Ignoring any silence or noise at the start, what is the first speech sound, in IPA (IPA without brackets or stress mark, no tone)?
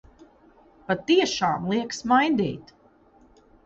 p